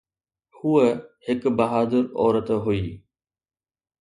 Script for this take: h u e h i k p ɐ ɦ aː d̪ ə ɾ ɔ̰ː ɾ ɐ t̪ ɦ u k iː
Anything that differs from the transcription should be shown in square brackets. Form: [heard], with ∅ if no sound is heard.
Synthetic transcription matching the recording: h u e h [ɪ] k [b] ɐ ɦ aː d̪ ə ɾ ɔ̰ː ɾ [ə] t̪ ɦ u [∅] iː